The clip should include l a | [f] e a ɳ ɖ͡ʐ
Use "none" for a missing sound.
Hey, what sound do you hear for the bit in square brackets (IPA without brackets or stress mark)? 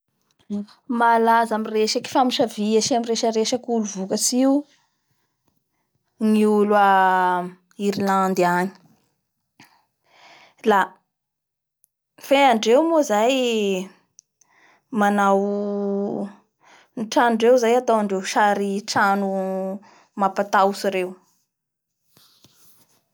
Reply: f